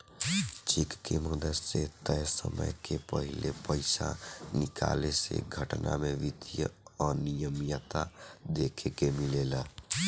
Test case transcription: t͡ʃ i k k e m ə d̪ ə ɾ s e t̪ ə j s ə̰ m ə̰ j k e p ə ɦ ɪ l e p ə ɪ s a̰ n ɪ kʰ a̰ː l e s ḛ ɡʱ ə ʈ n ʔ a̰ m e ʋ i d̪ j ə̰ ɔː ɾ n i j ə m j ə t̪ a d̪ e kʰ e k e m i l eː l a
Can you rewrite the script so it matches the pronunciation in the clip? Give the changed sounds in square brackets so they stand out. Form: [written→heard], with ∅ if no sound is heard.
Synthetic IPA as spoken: t͡ʃ i k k e m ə d̪ ə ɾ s e t̪ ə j s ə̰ m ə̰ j k e p ə ɦ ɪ l e p ə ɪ s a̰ n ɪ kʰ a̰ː l e s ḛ ɡʱ ə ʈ n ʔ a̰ m e ʋ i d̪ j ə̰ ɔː ɾ n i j ə m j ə t̪ a d̪ e kʰ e k e m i l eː l a